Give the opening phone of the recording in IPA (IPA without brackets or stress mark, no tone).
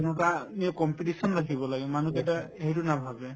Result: n